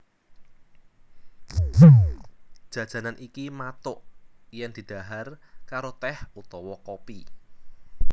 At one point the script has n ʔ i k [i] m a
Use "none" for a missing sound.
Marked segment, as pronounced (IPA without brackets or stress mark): i